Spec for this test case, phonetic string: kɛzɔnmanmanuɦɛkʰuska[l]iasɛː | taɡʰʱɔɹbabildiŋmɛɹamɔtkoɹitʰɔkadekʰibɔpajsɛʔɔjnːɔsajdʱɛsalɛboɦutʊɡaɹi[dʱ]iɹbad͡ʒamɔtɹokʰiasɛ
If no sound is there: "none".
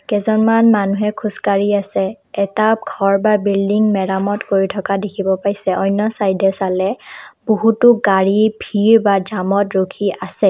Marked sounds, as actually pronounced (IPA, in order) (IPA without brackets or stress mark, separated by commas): ɹ, bʱ